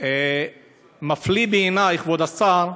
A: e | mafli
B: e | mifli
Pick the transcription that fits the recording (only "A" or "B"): A